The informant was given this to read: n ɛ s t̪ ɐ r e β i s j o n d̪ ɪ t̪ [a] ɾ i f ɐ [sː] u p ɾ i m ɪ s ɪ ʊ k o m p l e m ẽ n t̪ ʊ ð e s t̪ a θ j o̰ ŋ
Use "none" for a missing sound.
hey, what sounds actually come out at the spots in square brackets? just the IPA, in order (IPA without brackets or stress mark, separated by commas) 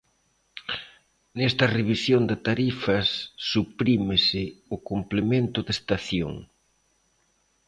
a, sː